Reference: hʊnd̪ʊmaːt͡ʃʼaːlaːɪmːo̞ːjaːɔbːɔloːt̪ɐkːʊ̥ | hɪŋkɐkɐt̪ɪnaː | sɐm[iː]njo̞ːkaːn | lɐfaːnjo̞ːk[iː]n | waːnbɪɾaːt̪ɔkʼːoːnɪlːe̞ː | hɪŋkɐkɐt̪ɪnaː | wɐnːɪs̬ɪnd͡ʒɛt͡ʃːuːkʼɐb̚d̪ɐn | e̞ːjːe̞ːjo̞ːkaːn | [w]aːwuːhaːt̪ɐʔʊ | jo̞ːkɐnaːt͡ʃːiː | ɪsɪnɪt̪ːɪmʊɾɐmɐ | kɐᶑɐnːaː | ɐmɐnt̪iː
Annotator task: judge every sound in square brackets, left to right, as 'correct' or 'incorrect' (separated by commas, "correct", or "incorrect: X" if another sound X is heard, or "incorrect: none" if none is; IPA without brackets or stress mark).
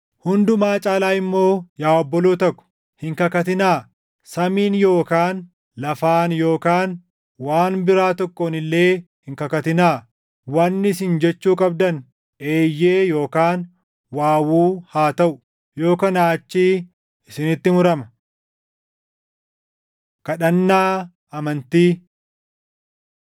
correct, incorrect: aː, correct